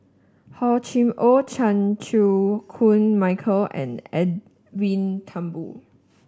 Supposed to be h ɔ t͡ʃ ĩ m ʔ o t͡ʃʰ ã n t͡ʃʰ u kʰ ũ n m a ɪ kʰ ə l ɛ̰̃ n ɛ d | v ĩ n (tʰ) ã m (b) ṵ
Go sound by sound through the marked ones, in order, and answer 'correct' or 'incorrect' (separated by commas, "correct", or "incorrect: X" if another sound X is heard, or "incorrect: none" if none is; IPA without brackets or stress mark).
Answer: correct, correct